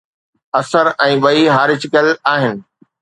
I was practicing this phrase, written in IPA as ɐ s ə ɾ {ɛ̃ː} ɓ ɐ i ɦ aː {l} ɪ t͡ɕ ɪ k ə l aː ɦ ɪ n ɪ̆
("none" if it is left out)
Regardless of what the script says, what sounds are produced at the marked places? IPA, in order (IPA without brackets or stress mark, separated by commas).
ɛ̃ː, ɾ